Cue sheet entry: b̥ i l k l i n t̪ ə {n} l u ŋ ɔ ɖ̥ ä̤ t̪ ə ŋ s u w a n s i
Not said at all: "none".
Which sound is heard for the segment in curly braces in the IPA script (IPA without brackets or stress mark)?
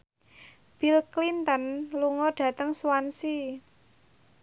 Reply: n